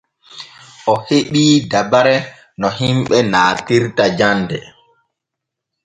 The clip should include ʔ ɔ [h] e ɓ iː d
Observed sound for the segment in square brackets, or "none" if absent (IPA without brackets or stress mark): h